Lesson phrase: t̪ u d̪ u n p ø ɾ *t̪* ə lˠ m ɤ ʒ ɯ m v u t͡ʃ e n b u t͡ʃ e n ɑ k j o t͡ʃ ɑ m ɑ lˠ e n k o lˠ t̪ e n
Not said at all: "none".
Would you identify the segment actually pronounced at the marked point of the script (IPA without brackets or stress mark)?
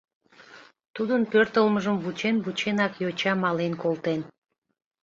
t̪